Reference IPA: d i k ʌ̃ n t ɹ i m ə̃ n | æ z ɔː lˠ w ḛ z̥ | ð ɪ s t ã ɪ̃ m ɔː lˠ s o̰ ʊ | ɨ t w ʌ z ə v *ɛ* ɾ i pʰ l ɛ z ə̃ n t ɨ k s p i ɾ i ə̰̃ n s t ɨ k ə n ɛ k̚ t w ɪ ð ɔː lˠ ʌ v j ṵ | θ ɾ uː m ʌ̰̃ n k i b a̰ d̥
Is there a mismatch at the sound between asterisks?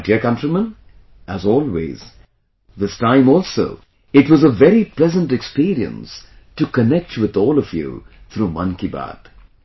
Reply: no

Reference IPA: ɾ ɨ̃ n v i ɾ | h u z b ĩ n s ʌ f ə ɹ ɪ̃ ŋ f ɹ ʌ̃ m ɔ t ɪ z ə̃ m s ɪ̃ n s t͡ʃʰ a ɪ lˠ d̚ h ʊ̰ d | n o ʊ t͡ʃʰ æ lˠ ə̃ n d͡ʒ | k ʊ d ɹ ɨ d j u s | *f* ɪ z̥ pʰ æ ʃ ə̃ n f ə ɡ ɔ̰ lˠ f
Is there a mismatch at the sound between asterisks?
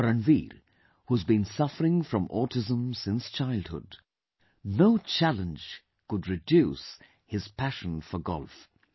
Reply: yes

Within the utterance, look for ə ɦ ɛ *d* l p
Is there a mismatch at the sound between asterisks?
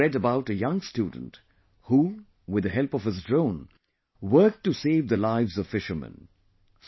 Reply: yes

